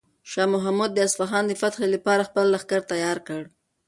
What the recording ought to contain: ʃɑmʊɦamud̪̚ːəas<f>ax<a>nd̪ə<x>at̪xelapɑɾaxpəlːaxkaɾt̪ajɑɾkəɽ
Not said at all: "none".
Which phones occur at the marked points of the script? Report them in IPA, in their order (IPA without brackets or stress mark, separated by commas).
f, ɑ, f